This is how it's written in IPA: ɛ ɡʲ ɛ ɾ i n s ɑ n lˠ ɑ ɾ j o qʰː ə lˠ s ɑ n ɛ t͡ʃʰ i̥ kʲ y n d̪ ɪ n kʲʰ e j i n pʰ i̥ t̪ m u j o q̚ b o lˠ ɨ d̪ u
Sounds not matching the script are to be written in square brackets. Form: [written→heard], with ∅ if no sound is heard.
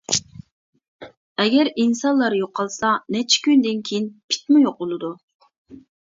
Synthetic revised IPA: ɛ ɡʲ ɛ ɾ i n s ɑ n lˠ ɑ ɾ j o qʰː [ə→ɑ] lˠ s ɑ n ɛ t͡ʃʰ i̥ kʲ y n d̪ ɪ n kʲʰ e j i n pʰ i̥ t̪ m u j o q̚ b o lˠ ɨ d̪ u